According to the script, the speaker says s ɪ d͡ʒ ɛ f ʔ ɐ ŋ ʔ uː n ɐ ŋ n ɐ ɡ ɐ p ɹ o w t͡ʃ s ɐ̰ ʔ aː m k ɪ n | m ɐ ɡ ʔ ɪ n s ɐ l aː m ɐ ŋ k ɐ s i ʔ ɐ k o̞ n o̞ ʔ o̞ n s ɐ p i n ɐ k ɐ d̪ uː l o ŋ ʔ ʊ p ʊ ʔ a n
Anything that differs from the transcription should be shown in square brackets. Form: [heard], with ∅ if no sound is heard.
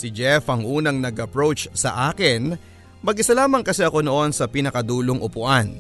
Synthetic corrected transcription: s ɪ d͡ʒ ɛ f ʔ ɐ ŋ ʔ uː n ɐ ŋ n ɐ ɡ ɐ p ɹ o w t͡ʃ s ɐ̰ ʔ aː [∅] k ɪ n | m ɐ ɡ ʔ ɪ [∅] s ɐ l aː m ɐ ŋ k ɐ s [ɛ] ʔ ɐ k o̞ n o̞ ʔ o̞ n s ɐ p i n ɐ k ɐ d̪ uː l o ŋ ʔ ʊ p ʊ ʔ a n